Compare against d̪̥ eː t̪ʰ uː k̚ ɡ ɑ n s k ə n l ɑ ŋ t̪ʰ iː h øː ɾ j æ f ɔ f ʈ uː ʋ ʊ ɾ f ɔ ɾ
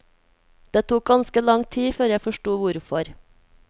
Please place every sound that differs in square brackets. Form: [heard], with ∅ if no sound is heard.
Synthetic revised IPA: d̪̥ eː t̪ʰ uː k̚ ɡ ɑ n s k ə [∅] l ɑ ŋ t̪ʰ iː [f] øː ɾ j æ f ɔ [ʃ] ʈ uː ʋ ʊ ɾ f ɔ ɾ

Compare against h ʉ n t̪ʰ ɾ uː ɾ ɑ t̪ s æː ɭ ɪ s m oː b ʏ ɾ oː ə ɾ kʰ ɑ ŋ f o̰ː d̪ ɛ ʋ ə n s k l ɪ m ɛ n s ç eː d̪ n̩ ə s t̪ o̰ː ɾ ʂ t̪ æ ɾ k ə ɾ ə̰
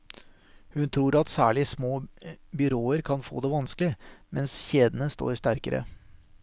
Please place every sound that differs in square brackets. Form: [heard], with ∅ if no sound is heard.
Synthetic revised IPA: h ʉ n t̪ʰ ɾ uː ɾ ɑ t̪ s æː ɭ ɪ s m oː b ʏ ɾ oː ə ɾ kʰ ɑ [n] f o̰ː d̪ ɛ ʋ [ɑ] n s k l ɪ m ɛ n s ç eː d̪ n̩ ə s t̪ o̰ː ɾ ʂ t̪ æ ɾ k ə ɾ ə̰

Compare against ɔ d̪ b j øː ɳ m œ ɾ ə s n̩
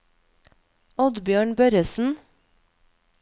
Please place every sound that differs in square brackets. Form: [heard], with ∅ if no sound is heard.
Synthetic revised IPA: ɔ d̪ b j øː ɳ [b] œ ɾ ə s n̩

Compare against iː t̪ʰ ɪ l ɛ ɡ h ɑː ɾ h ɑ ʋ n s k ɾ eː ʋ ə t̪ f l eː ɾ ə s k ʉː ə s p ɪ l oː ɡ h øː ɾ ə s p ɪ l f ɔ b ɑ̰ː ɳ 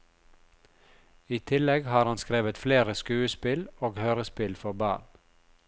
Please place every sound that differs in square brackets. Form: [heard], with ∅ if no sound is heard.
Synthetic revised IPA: iː t̪ʰ ɪ l ɛ ɡ h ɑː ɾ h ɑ [∅] n s k ɾ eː ʋ ə t̪ f l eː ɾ ə s k ʉː ə s p ɪ l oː ɡ h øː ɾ ə s p ɪ l f ɔ b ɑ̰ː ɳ

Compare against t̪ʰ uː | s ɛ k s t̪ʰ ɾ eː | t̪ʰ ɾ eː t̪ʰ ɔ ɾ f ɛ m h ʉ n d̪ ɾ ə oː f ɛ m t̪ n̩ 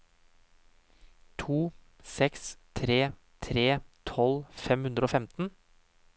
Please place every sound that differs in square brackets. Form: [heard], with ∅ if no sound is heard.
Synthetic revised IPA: t̪ʰ uː | s ɛ k s t̪ʰ ɾ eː | t̪ʰ ɾ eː t̪ʰ ɔ [l] f ɛ m h ʉ n d̪ ɾ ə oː f ɛ m t̪ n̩

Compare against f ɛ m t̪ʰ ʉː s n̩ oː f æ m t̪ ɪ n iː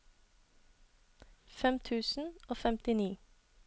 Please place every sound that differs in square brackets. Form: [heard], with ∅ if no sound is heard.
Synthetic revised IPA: f ɛ m t̪ʰ ʉː s n̩ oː f [ɛ] m t̪ ɪ n iː

